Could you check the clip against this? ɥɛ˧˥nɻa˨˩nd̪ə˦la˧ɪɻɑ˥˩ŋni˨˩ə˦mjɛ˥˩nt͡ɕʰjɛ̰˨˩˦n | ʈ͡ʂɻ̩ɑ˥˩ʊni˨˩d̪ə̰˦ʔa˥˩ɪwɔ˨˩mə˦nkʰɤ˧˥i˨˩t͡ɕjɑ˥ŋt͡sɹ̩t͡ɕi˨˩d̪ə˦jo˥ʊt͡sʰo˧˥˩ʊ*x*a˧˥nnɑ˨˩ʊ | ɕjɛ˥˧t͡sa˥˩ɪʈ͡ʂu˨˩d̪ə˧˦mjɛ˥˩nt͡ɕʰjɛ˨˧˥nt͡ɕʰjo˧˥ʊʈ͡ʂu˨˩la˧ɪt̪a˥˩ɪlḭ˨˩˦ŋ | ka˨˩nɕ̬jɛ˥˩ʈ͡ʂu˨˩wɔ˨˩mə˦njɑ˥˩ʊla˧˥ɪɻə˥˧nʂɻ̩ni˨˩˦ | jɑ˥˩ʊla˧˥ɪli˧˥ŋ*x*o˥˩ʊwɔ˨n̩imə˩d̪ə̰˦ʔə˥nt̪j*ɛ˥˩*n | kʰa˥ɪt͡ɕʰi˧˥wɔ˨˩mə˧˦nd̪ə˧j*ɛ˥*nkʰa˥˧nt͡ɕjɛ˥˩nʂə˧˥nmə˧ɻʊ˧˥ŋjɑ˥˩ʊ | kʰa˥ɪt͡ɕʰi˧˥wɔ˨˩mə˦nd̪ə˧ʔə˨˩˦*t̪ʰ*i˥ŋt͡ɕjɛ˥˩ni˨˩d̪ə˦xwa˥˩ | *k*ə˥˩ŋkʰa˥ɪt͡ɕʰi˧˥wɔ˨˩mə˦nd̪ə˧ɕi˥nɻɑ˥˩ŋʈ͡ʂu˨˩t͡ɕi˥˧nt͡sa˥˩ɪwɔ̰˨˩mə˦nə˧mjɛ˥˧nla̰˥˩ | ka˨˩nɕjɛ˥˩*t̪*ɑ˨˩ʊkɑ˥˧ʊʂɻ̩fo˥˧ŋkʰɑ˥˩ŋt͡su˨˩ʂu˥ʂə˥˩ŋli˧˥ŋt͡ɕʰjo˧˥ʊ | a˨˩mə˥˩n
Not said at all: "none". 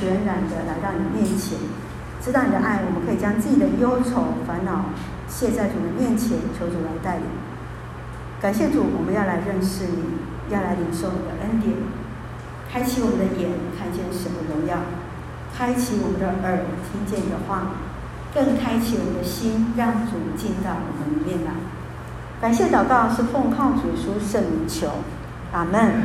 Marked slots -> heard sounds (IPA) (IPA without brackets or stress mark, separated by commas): f, ʂ, ɛ˨˩˦, ɛ˨˩˦, t̪ʰ, k, t̪